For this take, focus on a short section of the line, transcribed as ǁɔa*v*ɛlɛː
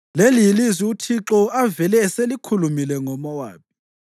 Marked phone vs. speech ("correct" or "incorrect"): correct